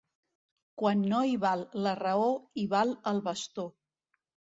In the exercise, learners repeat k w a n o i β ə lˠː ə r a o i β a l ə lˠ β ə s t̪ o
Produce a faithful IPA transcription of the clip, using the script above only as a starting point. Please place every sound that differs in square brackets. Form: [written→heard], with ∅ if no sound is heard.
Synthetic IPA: k w a [n→nː] o i β [ə→a] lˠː ə r [a→ə] o i β a l ə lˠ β ə s t̪ o

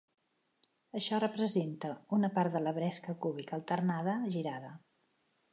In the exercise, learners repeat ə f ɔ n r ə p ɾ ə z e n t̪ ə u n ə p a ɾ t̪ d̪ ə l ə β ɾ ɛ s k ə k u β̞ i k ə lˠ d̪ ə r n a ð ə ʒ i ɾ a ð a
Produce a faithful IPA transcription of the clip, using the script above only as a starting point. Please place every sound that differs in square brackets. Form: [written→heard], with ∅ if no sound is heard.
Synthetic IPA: ə [f→ʃ] ɔ [n→∅] r ə p ɾ ə z e n t̪ ə u n ə p a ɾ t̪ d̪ ə l ə β ɾ ɛ s k ə k u β̞ i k ə lˠ [d̪→t̪] ə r n a ð ə ʒ i ɾ a ð [a→ə]

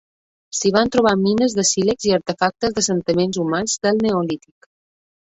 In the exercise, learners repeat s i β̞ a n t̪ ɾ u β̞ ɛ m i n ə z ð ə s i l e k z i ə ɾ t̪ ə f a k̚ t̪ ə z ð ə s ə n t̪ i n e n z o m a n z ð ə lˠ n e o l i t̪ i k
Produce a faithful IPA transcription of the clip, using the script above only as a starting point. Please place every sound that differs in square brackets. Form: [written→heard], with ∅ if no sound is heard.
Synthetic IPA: s i β̞ a n t̪ ɾ u β̞ [ɛ→a] m i n ə z ð ə s i l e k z i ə ɾ t̪ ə f a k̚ t̪ ə z ð ə s ə n t̪ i [n→m] e n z [o→u] m a n z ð ə lˠ n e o l i t̪ i k

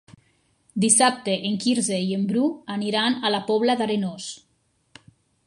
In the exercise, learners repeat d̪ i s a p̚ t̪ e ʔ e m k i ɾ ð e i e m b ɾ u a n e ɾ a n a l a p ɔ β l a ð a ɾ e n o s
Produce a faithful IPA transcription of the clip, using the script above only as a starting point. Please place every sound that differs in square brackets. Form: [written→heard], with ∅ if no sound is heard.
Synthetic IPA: d̪ i s a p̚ t̪ e ʔ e [m→ŋ] k i ɾ [ð→z] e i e m b ɾ u a n [e→i] ɾ a n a l a p ɔ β l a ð a ɾ e n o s

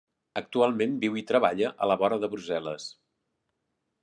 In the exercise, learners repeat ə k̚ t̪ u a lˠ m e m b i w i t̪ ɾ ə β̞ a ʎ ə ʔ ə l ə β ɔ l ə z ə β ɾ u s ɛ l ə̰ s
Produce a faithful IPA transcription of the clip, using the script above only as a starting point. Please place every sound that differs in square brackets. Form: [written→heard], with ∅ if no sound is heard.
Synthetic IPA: ə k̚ t̪ u a lˠ m e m b i w i t̪ ɾ ə β̞ a ʎ ə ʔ ə l ə β ɔ [l→ɾ] ə [z→ð] ə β ɾ u [s→z] ɛ l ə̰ s

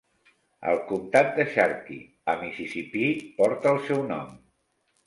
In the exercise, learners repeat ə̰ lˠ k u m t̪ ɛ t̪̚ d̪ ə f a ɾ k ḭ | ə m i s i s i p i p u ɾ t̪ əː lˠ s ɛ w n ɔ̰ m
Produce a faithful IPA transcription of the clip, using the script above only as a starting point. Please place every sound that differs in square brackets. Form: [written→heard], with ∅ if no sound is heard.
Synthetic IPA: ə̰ lˠ k u m t̪ [ɛ→a] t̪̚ d̪ ə [f→ʃ] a ɾ k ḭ | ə m i s i s i p i p [u→ɔ] ɾ t̪ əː lˠ s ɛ w n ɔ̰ m

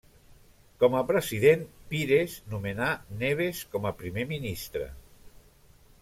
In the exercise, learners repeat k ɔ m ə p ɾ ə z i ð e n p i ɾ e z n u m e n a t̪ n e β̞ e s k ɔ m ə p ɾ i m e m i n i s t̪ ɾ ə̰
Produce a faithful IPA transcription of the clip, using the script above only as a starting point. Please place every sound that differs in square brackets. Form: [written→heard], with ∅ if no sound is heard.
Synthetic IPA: k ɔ m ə p ɾ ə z i ð e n p i ɾ e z n u m e n a [t̪→∅] n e β̞ e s k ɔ m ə p ɾ i m e m i n i s t̪ ɾ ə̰

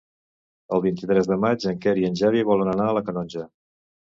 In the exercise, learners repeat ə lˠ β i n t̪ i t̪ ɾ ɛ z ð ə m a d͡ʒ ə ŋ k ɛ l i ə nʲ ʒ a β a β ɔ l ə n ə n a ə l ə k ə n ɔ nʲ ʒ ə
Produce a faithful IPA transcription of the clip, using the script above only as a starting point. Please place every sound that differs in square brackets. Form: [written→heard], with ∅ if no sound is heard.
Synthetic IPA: ə lˠ β i n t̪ i t̪ ɾ ɛ z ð ə m a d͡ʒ ə ŋ k ɛ [l→ɾ] i ə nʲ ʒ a β [a→i] β ɔ l ə n ə n a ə l ə k ə n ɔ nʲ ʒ ə

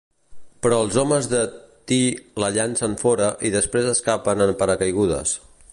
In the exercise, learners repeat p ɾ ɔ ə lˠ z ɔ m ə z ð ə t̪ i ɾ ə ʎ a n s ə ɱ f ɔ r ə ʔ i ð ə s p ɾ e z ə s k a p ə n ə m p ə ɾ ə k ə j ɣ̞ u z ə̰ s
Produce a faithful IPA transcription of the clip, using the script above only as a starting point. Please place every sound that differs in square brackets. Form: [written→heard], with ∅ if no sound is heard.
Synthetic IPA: p ɾ ɔ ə lˠ z ɔ m ə z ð ə t̪ i [ɾ→l] ə ʎ a n s ə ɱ f ɔ [r→ɾ] ə ʔ i ð ə s p ɾ e z ə s k a p ə n ə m p ə ɾ ə k ə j ɣ̞ u [z→ð] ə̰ s

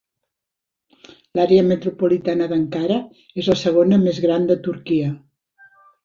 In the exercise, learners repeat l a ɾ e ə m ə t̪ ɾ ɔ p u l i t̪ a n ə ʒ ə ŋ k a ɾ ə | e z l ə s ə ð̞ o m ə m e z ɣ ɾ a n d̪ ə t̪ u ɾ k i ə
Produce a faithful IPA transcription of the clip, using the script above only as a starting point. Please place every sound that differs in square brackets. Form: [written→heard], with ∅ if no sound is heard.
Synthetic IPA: l a ɾ e ə m ə t̪ ɾ [ɔ→u] p u l i t̪ a n ə [ʒ→ð] ə ŋ k a ɾ ə | e z l ə s ə [ð̞→ɣ̞] o [m→n] ə m e z ɣ ɾ a n d̪ ə t̪ u ɾ k i ə

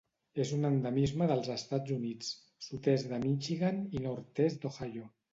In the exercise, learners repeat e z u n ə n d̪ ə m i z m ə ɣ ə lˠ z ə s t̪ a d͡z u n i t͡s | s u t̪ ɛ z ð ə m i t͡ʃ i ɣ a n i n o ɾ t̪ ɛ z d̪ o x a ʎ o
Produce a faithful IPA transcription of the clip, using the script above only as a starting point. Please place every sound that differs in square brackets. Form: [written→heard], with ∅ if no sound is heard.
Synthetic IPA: e z u n ə n d̪ ə m i z m ə [ɣ→ð] ə lˠ z ə s t̪ a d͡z u n i t͡s | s u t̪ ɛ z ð ə m i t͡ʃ i ɣ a n i n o ɾ t̪ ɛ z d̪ o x a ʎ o

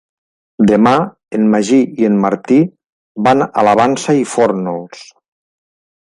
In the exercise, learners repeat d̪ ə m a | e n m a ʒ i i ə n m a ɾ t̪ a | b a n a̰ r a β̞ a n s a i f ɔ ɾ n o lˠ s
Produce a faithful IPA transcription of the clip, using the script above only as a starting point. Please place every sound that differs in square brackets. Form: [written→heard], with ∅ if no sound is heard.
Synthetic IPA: d̪ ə m a | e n m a ʒ i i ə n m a ɾ t̪ [a→i] | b a n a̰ [r→l] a β̞ a n s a i f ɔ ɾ n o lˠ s

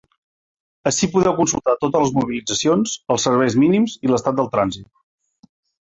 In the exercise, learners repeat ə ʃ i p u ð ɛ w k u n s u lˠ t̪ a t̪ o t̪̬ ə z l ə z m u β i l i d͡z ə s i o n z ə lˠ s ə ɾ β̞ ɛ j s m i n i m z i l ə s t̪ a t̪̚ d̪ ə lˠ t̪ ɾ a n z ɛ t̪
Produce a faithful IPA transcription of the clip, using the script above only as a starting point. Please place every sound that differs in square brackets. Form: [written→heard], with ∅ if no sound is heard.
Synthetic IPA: ə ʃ i p u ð ɛ w k u n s u lˠ t̪ a t̪ o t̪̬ ə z l ə z m u β i l i d͡z ə s i o n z ə lˠ s ə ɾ β̞ ɛ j [s→z] m i n i m z i l ə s t̪ a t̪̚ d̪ ə lˠ t̪ ɾ a n z [ɛ→i] t̪

